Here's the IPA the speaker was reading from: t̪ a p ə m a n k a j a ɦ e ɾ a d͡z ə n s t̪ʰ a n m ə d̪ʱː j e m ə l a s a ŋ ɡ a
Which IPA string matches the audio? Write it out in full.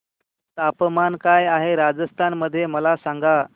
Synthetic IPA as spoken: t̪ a p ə m a n k a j a ɦ e ɾ a d͡z ə s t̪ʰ a n m ə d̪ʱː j e m ə l a s a ŋ ɡ a